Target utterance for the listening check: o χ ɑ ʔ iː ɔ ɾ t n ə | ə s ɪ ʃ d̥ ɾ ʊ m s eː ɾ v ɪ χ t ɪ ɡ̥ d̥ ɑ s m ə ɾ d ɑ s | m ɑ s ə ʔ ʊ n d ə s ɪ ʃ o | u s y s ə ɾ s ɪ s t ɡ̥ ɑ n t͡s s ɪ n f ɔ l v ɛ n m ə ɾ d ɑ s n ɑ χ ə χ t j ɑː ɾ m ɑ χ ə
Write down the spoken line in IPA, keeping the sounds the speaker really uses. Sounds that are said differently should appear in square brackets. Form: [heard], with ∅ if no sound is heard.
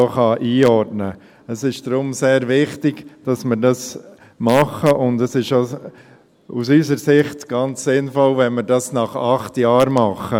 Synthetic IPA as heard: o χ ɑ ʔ iː ɔ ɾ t n ə | ə s ɪ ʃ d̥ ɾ ʊ m s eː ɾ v ɪ χ t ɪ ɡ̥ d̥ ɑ s m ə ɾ d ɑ s | m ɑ [χ] ə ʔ ʊ n d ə s ɪ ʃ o | u s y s ə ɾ s ɪ [χ] t ɡ̥ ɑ n t͡s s ɪ n f ɔ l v ɛ n m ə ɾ d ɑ s n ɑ χ [ɑ] χ t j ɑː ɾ m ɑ χ ə